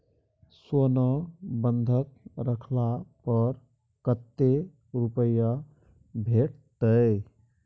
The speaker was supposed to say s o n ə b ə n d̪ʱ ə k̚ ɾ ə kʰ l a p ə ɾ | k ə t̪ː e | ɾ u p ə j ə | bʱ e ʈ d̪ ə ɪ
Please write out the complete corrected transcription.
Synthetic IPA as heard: s o n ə b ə n d̪ʱ ə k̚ ɾ ə kʰ l a p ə ɾ | k ə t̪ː e | ɾ u p ə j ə | bʱ e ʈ t̪ ə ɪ

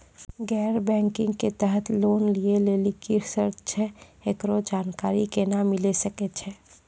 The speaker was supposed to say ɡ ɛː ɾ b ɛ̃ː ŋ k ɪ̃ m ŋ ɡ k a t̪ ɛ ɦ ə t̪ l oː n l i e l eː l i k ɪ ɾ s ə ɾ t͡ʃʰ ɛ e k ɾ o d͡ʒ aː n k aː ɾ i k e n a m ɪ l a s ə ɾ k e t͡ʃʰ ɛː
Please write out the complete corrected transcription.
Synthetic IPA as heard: ɡ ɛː ɾ b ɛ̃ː ŋ k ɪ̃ ŋ ɡ k e t̪ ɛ ɦ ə t̪ l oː n l i e l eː l i k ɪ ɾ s ə ɾ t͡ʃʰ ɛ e k ɾ o d͡ʒ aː n k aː ɾ i k e n a m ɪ l e s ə k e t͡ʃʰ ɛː

